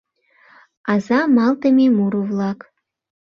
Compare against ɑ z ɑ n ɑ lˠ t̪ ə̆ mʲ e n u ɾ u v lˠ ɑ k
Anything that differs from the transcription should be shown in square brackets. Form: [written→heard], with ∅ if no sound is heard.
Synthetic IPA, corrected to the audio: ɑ z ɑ [n→m] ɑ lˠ t̪ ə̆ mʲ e [n→m] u ɾ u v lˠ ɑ k